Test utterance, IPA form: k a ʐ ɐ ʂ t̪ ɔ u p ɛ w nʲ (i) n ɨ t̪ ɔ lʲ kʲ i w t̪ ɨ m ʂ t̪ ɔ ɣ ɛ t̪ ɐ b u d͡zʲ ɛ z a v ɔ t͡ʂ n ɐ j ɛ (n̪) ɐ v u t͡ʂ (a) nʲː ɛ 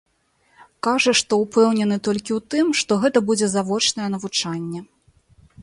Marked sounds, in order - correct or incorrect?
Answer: incorrect: ɛ, correct, correct

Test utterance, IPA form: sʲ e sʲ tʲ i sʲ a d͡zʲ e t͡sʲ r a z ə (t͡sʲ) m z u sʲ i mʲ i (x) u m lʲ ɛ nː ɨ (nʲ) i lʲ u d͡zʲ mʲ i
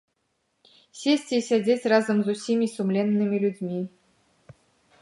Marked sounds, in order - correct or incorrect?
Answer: incorrect: none, incorrect: s, incorrect: mʲ

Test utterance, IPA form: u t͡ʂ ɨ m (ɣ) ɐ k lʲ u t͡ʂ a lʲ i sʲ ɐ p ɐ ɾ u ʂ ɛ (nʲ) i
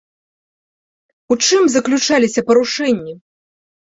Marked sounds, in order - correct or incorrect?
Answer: incorrect: z, incorrect: nʲː

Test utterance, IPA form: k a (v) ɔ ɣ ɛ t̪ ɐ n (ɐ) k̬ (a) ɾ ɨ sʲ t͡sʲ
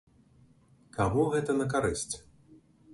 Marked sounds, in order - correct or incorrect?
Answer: incorrect: ɣ, correct, correct

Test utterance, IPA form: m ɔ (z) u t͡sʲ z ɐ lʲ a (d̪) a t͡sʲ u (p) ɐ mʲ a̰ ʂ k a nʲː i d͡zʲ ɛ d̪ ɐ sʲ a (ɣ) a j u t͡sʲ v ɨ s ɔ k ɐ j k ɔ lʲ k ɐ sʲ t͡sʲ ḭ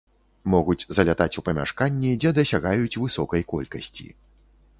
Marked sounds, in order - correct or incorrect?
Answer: incorrect: ɣ, incorrect: t̪, correct, correct

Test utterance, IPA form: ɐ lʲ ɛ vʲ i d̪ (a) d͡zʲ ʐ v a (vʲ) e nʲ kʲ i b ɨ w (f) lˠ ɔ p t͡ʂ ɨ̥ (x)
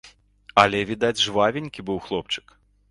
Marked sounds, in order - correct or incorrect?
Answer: correct, correct, incorrect: x, incorrect: k

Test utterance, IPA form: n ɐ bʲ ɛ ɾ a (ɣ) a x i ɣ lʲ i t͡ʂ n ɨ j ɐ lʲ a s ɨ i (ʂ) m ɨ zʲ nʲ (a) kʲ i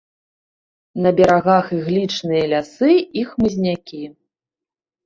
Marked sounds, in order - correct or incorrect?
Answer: correct, incorrect: x, correct

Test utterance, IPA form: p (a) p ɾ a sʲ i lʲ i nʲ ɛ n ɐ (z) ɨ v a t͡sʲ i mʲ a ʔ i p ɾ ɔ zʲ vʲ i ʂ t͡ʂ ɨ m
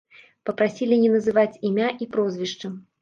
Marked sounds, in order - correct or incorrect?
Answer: incorrect: ɐ, correct

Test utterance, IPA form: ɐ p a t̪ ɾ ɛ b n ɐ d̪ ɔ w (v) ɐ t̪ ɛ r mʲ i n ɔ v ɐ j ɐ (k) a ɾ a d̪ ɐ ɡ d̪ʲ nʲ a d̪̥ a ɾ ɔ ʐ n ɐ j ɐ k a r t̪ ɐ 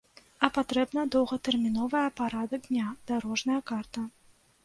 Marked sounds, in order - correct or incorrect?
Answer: incorrect: ɣ, incorrect: p

